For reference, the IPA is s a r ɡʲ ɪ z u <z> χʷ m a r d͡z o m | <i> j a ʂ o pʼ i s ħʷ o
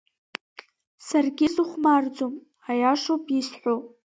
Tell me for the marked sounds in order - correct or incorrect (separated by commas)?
incorrect, incorrect